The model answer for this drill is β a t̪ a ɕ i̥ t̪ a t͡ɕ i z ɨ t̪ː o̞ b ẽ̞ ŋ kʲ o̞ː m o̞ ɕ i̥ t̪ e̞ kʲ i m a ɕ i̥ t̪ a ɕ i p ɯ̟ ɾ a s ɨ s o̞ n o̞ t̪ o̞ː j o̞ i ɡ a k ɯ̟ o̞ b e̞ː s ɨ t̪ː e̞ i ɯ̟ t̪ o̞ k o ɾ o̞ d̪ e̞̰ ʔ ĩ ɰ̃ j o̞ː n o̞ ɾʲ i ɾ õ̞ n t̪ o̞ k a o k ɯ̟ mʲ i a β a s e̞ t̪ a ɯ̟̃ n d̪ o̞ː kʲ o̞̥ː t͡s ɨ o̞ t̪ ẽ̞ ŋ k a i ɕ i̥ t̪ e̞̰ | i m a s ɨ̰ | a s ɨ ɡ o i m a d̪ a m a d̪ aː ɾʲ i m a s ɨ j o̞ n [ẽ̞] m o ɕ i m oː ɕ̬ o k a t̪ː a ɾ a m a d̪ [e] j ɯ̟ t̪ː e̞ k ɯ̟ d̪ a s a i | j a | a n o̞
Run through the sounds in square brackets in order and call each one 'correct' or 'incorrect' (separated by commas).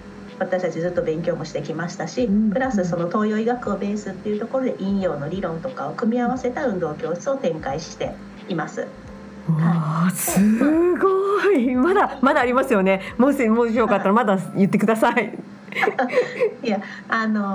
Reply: incorrect, incorrect